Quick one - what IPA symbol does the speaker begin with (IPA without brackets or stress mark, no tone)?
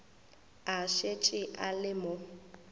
a